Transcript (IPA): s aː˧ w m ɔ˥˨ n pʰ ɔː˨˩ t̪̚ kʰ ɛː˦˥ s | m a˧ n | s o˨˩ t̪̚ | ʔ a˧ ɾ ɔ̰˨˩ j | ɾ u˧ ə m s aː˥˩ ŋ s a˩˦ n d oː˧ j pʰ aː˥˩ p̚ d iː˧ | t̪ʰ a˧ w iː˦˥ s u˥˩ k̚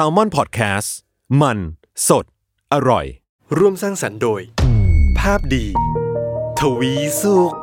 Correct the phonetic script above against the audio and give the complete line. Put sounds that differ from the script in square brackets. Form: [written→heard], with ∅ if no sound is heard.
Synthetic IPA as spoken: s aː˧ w m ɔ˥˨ n pʰ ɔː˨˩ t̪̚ kʰ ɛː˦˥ s | m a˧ n | s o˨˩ t̪̚ | ʔ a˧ ɾ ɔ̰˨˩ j | ɾ [u˧→u˥˩] ə m s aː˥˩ ŋ s a˩˦ n d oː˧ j pʰ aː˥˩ p̚ d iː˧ | t̪ʰ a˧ w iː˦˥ s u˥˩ k̚